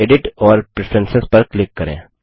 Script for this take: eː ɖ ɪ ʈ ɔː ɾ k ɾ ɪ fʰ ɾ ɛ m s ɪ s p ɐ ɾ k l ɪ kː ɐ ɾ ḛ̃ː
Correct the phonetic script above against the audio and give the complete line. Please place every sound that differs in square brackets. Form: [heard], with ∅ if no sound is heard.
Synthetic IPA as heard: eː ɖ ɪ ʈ ɔː ɾ [p] ɾ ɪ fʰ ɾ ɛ [n] s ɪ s p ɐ ɾ k l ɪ kː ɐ ɾ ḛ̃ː